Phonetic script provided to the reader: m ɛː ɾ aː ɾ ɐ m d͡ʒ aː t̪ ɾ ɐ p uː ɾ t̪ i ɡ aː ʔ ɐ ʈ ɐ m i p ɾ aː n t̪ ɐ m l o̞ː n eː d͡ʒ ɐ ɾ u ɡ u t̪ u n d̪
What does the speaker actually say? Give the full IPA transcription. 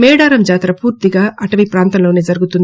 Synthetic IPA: m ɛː ɽ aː ɾ ɐ m d͡ʒ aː t̪ ɾ ɐ p uː ɾ t̪ i ɡ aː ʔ ɐ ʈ ɐ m i p ɾ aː n t̪ ɐ m l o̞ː n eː d͡ʒ ɐ ɾ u ɡ u t̪ u n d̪